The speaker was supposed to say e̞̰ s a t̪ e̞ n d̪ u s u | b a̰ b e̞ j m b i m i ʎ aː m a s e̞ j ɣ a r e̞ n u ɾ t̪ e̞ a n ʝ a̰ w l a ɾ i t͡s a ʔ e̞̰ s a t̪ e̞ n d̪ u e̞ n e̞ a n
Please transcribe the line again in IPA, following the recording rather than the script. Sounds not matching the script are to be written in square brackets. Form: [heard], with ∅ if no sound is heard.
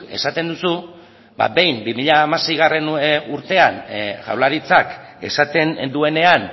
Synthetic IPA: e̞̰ s a t̪ e̞ n d̪ u s u | b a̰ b e̞ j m b i m i ʎ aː m a s e̞ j ɣ a r e̞ n u ɾ t̪ e̞ a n ʝ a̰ w l a ɾ i t͡s a [k] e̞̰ s a t̪ e̞ n d̪ u e̞ n e̞ a n